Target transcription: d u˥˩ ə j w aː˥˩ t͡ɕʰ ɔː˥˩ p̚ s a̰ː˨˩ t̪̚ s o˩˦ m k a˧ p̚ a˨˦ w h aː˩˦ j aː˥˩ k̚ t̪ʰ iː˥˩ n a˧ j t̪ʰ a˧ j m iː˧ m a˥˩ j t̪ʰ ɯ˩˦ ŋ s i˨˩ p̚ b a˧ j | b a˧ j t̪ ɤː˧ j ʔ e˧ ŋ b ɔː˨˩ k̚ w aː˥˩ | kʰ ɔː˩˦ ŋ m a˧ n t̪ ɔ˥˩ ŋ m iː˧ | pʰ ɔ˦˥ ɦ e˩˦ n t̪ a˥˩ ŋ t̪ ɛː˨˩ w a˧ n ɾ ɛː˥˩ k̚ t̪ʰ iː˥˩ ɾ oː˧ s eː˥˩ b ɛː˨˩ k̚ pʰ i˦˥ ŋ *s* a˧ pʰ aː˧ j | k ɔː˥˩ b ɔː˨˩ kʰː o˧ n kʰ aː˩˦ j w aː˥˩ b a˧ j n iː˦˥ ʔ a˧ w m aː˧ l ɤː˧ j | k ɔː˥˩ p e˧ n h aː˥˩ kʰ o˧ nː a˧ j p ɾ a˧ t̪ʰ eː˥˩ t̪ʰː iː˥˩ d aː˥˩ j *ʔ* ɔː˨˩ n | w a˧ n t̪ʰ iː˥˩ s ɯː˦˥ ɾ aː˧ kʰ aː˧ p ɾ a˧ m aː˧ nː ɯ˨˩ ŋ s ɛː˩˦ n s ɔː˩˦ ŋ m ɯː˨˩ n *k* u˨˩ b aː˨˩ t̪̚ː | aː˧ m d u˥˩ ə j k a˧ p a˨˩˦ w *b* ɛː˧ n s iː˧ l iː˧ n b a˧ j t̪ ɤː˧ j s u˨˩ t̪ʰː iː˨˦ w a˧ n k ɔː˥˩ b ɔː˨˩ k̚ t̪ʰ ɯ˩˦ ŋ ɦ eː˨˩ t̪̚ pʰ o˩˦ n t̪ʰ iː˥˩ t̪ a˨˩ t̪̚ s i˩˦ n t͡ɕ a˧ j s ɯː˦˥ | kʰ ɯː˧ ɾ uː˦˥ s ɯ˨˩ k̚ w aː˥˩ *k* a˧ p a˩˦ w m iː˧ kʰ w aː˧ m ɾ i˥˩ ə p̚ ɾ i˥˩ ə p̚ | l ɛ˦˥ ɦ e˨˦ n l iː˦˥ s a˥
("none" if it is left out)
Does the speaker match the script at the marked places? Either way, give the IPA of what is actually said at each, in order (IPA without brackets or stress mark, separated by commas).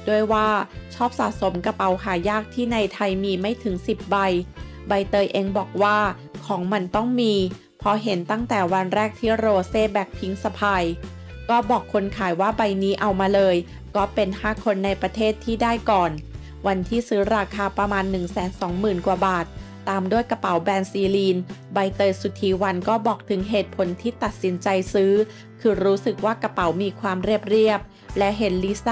s, k, k, b, k